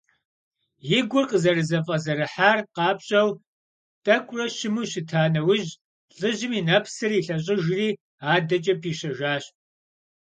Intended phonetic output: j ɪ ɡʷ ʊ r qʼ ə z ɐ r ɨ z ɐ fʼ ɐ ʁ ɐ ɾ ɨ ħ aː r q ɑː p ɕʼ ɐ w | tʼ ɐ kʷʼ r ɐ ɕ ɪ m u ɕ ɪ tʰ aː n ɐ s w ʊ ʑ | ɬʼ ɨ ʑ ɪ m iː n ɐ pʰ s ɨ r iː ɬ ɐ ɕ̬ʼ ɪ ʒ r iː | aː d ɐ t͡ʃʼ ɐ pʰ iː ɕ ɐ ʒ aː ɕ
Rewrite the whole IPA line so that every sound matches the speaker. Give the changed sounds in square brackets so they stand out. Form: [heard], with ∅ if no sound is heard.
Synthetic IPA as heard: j ɪ ɡʷ ʊ r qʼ ə z ɐ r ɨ z ɐ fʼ ɐ [z] ɐ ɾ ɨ ħ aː r q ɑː p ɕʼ ɐ w | tʼ ɐ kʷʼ r ɐ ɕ ɪ m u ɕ ɪ tʰ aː n ɐ [∅] w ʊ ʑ | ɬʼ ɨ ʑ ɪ m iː n ɐ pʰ s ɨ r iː ɬ ɐ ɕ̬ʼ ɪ ʒ r iː | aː d ɐ t͡ʃʼ ɐ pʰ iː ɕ ɐ ʒ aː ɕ